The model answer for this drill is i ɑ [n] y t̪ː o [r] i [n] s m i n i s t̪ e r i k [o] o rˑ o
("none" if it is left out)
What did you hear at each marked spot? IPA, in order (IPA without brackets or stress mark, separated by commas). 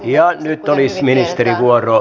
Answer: n, l, none, u